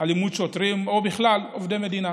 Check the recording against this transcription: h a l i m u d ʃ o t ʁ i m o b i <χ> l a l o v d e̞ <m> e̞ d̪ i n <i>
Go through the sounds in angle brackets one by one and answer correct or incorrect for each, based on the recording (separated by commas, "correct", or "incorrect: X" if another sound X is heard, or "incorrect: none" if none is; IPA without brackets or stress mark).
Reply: correct, correct, incorrect: a